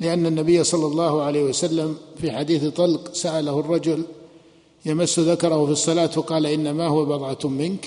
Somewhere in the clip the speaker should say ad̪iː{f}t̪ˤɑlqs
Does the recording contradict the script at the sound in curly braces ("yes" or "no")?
yes